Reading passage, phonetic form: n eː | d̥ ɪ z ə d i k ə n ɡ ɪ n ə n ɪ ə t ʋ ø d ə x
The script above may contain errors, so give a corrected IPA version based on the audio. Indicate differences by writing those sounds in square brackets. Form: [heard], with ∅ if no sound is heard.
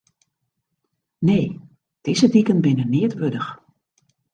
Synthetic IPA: n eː | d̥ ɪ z ə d i k ə n [b] ɪ n ə n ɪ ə t ʋ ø d ə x